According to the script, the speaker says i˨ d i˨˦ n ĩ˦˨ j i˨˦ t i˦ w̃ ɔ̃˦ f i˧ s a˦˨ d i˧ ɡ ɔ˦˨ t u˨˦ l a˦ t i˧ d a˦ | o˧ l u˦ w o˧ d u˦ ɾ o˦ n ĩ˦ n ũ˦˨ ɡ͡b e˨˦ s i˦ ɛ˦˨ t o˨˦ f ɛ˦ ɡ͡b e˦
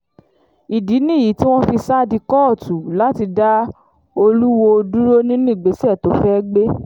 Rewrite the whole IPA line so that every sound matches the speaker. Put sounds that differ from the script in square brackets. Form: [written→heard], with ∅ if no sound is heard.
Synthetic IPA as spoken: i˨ d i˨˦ n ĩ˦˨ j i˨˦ t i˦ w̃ ɔ̃˦ f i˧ s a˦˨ d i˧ [ɡ→k] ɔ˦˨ t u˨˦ l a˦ t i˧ d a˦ | o˧ l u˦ w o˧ d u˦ ɾ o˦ n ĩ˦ n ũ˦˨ ɡ͡b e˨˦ s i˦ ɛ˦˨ t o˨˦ f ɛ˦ ɡ͡b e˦